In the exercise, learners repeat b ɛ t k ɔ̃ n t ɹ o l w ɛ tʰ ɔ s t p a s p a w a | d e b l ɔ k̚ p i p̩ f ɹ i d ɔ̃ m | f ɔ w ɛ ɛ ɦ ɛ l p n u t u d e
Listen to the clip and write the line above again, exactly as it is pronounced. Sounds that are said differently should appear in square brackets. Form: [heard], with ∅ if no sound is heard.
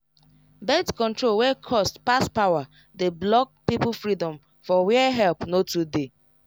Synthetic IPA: b ɛ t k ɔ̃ n t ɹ o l w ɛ [kʰ] ɔ s t p a s p a w a | d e b l ɔ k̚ p i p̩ f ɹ i d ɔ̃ m | f ɔ w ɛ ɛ ɦ ɛ l p n [o] t u d e

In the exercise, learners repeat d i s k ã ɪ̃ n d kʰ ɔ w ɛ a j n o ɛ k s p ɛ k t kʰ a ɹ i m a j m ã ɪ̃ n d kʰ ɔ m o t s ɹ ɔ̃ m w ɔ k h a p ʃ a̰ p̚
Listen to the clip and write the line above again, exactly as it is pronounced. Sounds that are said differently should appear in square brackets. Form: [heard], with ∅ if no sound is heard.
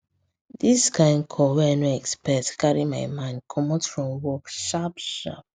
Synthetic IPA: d i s k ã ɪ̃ n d kʰ ɔ w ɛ a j n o ɛ k s p ɛ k t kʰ a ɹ i m a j m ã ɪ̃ n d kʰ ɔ m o t [f] ɹ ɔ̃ m w ɔ k [ʃ] a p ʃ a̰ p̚

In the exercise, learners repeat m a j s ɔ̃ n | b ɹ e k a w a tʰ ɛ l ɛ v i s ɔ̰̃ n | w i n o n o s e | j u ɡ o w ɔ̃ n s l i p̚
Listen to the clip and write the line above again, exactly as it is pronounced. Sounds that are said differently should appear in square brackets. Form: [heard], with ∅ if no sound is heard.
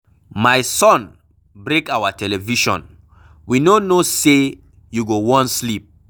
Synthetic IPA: m a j s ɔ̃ n | b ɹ e k a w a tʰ ɛ l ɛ v i [ʃ] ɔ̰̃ n | w i n o n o s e | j u ɡ o w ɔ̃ n s l i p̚

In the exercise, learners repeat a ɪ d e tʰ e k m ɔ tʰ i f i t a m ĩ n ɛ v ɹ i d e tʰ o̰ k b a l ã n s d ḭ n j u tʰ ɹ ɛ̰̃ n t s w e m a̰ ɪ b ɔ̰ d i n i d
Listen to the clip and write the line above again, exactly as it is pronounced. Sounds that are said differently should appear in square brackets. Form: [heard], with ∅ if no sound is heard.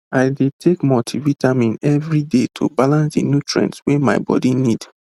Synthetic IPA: a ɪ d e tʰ e k m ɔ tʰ i [v] i t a m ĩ n ɛ v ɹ i d e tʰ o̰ [∅] b a l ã n s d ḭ n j u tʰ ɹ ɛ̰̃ n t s w e m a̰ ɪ b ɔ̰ d i n i d

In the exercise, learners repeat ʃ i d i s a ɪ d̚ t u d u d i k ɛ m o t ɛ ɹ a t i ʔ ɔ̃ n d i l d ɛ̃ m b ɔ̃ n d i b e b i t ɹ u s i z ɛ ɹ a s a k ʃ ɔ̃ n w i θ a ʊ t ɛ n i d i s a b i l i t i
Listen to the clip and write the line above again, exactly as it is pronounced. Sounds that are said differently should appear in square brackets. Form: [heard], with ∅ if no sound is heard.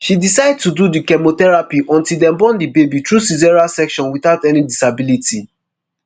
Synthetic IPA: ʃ i d i s a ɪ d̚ t u d u d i k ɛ m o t ɛ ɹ a [p] i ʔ ɔ̃ n [t] i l d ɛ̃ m b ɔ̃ n d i b e b i t ɹ u s i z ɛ ɹ a s [ɛ] k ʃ ɔ̃ n w i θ a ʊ t ɛ n i d i s a b i l i t i

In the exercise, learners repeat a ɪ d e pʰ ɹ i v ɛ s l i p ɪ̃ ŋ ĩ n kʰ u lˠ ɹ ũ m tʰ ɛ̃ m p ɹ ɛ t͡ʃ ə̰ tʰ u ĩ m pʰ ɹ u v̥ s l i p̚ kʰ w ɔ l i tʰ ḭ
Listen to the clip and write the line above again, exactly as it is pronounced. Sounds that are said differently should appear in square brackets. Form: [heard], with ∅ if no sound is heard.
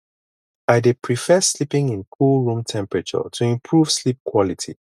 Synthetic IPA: a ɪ d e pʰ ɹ i [f] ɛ s l i p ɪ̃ ŋ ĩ n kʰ u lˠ ɹ ũ m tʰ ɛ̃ m p ɹ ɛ t͡ʃ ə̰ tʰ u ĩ m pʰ ɹ u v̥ s l i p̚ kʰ w ɔ l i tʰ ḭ

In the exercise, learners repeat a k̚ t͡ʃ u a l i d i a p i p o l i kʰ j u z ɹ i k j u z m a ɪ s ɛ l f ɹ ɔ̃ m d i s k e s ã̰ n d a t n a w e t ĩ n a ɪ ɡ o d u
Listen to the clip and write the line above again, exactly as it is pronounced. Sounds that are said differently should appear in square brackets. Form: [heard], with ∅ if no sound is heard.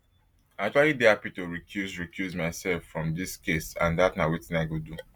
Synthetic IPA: a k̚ t͡ʃ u a l i d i a p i [t] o [ɹ] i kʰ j u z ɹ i k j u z m a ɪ s ɛ l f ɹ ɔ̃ m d i s k e s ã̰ n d a t n a w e t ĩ n a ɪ ɡ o d u

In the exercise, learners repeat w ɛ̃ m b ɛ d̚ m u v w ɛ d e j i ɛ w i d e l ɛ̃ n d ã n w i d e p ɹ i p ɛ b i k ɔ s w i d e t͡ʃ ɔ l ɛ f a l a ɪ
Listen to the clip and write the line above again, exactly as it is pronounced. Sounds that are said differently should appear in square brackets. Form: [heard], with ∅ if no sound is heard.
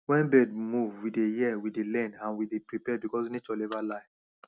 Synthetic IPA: w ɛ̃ [n] b ɛ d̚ m u v w [i] d e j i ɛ w i d e l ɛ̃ n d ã n w i d e p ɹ i p ɛ b i k ɔ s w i [n] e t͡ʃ ɔ l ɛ [v] a l a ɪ

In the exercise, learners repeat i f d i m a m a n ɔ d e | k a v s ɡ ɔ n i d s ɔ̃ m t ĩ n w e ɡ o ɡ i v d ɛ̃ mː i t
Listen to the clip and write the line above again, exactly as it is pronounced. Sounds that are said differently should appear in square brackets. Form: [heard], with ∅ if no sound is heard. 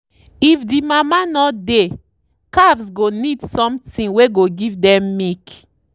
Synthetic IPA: i f d i m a m a n ɔ d e | k a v s ɡ [o] n i d s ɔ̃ m t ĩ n w e ɡ o ɡ i v d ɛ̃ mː i [k]

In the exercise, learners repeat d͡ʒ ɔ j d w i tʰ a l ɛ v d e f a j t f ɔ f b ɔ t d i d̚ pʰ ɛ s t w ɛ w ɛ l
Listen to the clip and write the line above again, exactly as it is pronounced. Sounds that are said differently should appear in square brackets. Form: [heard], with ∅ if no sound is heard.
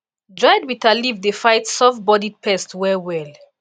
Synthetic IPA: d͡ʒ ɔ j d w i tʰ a l [i] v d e f a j t [s] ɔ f b ɔ [∅] d i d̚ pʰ ɛ s t w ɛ w ɛ l

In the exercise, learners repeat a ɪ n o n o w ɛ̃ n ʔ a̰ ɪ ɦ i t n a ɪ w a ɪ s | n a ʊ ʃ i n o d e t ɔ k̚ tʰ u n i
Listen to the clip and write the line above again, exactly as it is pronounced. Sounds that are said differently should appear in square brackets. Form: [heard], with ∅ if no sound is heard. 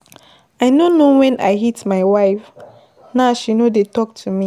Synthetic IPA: a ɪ n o n o w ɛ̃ n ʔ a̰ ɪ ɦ i t [m] a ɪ w a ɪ [f] | n a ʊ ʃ i n o d e t ɔ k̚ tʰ u [m] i

